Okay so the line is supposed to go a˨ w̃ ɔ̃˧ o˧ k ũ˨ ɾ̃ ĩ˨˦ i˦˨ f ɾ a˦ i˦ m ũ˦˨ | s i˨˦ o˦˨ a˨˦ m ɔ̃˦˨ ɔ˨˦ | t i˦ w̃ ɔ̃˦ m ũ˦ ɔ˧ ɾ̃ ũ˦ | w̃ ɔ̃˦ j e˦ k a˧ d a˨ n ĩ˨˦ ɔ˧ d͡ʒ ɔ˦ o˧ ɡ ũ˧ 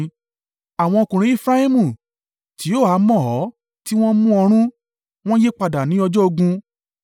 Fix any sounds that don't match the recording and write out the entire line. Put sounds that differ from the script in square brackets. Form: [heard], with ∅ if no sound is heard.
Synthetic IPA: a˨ w̃ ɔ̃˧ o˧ k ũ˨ ɾ̃ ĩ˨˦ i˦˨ f ɾ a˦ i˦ m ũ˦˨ | [t] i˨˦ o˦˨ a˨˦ m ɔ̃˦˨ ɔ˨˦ | t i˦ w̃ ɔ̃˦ m ũ˦ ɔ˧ ɾ̃ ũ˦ | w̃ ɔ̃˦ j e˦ [k͡p] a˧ d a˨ n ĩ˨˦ ɔ˧ d͡ʒ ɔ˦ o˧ ɡ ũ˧